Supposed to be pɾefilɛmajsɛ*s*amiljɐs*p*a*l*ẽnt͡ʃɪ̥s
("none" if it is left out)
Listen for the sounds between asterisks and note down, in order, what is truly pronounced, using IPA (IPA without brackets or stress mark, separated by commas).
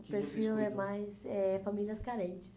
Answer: f, k, ɾ